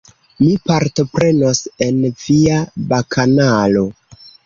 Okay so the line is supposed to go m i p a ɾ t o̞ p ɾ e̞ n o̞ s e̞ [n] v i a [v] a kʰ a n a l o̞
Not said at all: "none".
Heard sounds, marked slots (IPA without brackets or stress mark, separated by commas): n, b